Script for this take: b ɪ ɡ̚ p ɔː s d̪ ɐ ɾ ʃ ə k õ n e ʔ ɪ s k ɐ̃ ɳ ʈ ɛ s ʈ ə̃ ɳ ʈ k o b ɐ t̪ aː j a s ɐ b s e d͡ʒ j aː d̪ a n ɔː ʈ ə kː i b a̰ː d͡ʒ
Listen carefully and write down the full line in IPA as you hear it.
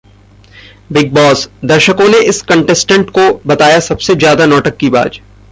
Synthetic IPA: b ɪ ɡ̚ b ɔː s d̪ ɐ ɾ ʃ ə k õ n e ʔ ɪ s k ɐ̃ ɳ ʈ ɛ s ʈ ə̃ ɳ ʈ k o b ɐ t̪ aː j a s ɐ b s e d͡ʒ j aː d̪ a n ɔː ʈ ə kː i b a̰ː d͡ʒ